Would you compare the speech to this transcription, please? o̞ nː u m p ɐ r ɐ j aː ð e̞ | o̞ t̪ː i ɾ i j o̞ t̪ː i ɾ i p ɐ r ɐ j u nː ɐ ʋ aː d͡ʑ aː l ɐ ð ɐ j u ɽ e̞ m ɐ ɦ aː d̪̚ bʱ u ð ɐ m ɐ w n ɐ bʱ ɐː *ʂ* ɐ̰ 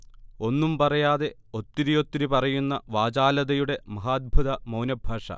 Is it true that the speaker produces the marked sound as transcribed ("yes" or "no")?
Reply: yes